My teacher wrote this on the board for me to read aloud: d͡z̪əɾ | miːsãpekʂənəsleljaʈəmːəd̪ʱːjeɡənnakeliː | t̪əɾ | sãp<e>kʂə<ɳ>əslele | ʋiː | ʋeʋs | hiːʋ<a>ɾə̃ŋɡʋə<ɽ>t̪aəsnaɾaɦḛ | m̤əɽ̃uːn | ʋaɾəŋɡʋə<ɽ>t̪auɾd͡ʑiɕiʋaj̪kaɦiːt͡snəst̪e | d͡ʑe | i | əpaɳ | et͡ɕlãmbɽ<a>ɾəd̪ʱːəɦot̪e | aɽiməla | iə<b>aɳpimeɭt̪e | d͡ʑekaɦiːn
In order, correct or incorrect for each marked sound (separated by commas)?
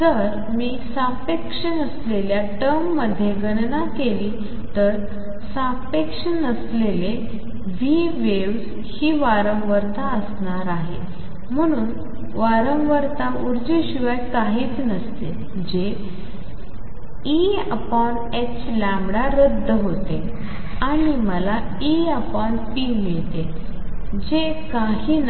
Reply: correct, incorrect, correct, incorrect, incorrect, correct, incorrect